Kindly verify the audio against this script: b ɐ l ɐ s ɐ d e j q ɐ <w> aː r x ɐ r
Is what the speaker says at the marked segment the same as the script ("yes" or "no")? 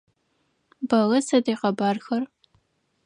no